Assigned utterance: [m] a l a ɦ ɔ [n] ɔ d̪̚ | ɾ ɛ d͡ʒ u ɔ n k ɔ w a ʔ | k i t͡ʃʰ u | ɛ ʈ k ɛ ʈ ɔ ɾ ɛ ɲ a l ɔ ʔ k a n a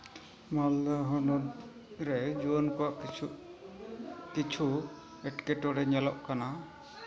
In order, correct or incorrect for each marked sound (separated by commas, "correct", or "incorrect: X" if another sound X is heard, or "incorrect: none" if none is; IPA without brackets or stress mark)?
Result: correct, correct